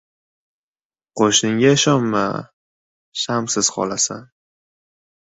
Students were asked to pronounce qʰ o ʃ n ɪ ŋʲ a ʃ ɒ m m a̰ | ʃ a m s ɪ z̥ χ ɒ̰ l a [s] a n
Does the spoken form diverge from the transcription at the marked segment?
no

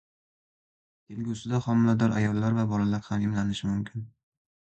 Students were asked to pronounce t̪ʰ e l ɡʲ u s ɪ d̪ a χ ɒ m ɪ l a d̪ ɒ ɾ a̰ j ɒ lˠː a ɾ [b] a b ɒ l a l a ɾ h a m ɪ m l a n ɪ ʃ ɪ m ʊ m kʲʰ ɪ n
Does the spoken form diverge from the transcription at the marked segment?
yes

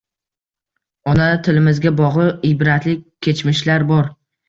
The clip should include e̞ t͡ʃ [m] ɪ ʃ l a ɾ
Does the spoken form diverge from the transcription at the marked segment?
no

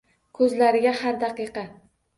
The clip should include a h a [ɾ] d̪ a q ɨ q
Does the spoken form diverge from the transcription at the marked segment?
no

